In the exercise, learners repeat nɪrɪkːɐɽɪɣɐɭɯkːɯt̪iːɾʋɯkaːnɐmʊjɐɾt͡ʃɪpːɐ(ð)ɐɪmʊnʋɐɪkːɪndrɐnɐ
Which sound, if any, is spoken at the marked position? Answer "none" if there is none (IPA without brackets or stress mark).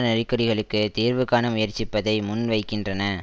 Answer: ð